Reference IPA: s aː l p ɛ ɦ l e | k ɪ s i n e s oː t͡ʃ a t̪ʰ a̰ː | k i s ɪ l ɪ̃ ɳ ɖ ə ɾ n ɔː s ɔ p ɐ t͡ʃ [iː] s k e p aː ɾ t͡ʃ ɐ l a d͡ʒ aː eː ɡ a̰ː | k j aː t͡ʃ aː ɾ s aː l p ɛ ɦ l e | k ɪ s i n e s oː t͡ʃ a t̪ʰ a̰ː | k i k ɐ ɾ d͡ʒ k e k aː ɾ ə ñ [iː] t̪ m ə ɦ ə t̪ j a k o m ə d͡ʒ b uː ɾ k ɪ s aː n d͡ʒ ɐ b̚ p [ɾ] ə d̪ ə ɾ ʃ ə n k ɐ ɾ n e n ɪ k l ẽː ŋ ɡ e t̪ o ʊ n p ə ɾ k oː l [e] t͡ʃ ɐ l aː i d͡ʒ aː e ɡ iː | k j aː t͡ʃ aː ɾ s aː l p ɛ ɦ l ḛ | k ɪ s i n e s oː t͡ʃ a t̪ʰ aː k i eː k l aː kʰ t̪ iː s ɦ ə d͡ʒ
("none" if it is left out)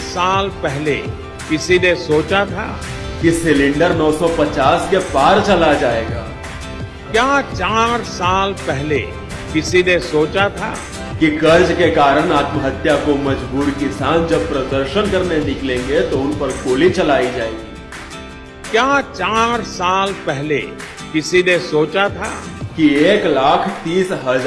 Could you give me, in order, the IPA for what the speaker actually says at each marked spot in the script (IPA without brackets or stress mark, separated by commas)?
aː, aː, ɾ, i